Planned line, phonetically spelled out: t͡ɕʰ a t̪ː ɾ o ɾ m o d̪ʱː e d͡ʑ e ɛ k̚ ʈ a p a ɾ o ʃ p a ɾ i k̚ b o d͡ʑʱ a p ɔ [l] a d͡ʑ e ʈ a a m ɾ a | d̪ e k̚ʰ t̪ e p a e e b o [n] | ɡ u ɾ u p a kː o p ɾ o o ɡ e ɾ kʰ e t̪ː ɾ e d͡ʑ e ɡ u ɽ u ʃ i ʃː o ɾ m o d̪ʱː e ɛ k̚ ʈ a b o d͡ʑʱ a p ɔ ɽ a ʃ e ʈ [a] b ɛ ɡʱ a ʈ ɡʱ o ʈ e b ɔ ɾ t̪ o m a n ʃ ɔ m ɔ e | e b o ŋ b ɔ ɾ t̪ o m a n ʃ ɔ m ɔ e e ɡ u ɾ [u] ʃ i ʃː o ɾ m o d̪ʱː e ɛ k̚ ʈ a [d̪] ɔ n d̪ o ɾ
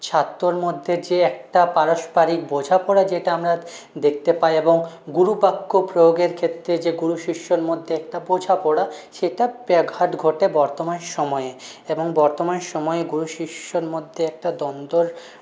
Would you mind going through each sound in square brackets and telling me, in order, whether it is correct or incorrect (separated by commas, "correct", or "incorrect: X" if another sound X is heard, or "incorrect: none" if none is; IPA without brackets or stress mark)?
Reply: incorrect: ɽ, incorrect: ŋ, correct, correct, correct